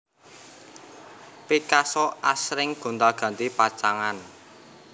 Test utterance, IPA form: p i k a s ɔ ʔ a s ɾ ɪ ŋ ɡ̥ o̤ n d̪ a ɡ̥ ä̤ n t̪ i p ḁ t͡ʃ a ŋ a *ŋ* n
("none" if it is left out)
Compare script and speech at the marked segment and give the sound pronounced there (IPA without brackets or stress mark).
none